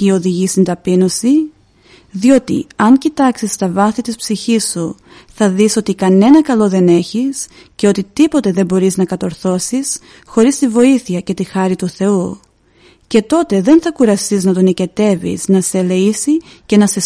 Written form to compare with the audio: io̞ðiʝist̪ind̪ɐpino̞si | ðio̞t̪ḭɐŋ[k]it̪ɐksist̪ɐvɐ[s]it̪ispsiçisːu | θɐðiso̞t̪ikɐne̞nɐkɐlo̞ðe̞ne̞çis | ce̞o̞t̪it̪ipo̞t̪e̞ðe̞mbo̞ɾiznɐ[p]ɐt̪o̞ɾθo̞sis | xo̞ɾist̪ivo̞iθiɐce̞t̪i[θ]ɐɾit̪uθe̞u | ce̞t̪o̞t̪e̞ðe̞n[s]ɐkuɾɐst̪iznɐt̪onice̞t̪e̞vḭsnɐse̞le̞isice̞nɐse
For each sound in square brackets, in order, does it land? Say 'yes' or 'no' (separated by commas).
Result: no, no, no, no, no